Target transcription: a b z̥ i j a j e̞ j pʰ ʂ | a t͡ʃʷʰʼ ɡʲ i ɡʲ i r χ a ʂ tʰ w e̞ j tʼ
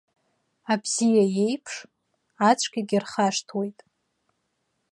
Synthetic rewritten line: a b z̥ i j a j e̞ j pʰ ʂ | a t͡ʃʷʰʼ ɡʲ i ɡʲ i r χ a ʂ tʰ w e̞ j tʼ